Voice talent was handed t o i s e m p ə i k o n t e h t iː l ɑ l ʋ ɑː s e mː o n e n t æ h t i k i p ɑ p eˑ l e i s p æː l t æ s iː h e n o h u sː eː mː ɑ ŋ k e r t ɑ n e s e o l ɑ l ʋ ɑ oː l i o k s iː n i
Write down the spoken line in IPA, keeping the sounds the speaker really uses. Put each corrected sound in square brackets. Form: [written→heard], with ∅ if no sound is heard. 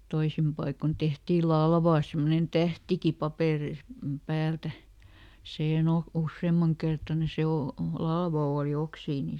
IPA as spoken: t o i s [e→i] m p [ə→ɑ] i k o n t e h t iː l ɑ l ʋ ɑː s e mː o n e n t æ h t i k i p ɑ p eˑ [l→r] e i s p æː l t æ s iː h e n o h u sː eː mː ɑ ŋ k e r t ɑ n e s e o l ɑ l ʋ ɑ oː l i o k s iː n i